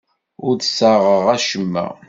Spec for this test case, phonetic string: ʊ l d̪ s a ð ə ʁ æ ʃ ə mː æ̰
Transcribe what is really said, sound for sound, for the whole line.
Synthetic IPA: ʊ ɾ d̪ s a ʁ ə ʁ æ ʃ ə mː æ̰